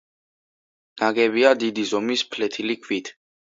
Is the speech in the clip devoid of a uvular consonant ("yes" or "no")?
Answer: yes